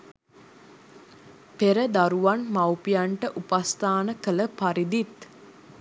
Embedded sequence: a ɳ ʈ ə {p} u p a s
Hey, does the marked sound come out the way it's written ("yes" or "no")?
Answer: no